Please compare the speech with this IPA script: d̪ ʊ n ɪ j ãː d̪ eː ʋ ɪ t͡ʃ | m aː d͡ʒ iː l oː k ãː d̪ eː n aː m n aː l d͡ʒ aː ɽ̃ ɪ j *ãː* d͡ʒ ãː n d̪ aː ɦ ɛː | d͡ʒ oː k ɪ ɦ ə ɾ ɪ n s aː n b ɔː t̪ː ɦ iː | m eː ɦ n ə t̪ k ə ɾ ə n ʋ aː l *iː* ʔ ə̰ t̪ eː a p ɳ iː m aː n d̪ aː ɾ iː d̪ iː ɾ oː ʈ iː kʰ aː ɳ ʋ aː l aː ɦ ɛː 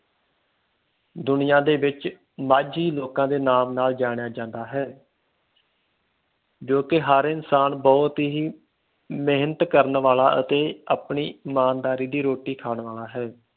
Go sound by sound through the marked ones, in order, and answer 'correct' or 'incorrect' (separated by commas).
incorrect, incorrect